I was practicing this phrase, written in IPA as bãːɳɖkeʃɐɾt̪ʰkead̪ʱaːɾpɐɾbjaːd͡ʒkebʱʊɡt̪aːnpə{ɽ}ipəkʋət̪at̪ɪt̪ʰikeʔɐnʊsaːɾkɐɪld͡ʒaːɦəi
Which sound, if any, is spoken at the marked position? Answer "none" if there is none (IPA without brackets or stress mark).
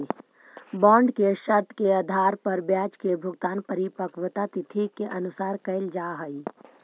ɾ